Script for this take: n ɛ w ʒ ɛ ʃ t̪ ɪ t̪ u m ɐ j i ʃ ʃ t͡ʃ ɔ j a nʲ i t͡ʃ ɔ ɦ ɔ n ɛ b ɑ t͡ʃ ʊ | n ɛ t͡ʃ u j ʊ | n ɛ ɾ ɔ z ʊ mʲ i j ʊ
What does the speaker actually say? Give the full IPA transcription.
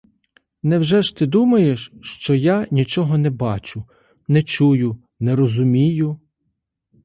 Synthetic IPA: n ɛ w ʒ ɛ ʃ t̪ ɪ d̪ u m ɐ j e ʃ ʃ t͡ʃ ɔ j a nʲ i t͡ʃ ɔ ɦ ɔ n ɛ b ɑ t͡ʃ ʊ | n ɛ t͡ʃ u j ʊ | n ɛ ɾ ɔ z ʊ mʲ i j ʊ